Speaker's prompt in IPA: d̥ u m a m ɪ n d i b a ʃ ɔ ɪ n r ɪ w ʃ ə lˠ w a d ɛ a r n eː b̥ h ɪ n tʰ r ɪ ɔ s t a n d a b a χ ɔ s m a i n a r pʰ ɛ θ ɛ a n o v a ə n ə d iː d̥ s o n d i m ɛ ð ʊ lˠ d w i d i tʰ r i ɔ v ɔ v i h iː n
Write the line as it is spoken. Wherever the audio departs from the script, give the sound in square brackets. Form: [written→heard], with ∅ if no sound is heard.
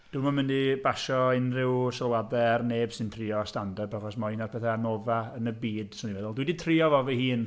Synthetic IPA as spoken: d̥ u m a m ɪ n d i b a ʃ ɔ ɪ n r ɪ w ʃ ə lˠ w a d ɛ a r n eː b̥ [h→s] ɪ n tʰ r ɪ ɔ s t a n d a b a χ ɔ s m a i n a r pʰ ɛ θ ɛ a n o v a ə n ə [d→b] iː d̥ s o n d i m ɛ ð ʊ lˠ d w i d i tʰ r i ɔ v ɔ v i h iː n